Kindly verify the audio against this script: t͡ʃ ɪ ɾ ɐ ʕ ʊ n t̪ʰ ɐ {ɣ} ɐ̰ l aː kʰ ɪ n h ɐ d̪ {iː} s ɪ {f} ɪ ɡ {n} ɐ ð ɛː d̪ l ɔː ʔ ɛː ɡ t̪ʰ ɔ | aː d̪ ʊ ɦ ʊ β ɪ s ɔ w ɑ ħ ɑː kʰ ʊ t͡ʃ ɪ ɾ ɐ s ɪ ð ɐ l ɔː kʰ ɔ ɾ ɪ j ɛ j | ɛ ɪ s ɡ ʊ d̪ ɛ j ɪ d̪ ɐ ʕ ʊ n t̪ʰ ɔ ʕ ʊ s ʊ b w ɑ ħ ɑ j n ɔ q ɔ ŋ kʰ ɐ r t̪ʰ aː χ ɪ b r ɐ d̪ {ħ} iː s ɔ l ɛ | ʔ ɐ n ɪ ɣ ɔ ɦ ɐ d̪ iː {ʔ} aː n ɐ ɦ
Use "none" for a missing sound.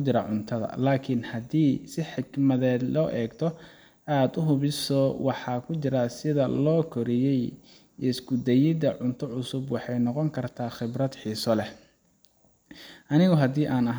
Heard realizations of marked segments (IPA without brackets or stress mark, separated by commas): ð, iː, ħ, m, ħ, ʔ